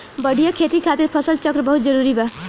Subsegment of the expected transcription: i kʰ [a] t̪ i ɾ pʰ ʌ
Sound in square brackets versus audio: correct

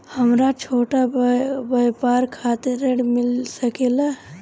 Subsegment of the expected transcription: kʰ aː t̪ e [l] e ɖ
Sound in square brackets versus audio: incorrect: ɾ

